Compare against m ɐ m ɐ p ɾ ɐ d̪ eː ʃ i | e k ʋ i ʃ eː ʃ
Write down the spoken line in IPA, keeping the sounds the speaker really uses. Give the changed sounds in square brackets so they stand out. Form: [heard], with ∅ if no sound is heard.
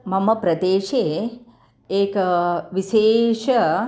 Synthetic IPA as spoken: m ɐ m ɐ p ɾ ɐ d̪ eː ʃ [e] | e k ʋ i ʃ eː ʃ